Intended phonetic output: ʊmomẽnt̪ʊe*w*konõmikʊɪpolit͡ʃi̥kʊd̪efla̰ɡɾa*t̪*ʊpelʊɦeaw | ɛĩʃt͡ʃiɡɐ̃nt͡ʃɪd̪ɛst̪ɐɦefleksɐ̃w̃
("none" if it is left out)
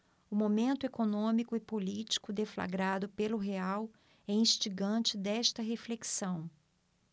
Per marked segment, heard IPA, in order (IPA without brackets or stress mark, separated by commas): none, d̪